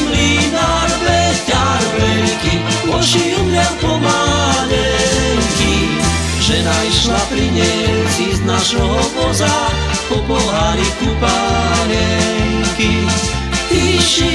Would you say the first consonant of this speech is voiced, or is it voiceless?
voiced